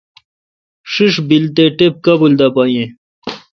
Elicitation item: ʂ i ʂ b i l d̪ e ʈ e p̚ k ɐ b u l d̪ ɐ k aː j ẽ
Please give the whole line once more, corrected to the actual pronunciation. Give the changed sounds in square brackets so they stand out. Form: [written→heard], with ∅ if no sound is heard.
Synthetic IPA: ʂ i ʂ b i l [d̪→t̪] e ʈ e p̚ k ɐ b u l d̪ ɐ [k→p] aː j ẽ